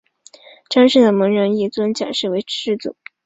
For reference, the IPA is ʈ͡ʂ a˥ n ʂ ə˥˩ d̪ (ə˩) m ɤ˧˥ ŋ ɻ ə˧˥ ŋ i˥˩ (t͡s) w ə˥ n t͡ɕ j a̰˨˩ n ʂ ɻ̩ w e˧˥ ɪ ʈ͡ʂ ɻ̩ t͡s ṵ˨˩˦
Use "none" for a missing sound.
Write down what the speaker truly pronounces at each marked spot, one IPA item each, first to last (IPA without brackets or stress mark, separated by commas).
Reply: ə˩, t͡s